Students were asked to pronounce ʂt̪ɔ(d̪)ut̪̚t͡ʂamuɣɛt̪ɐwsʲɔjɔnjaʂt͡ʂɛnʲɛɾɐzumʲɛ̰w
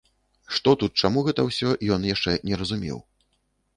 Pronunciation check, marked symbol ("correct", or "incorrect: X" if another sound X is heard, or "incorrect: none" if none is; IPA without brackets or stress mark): incorrect: t̪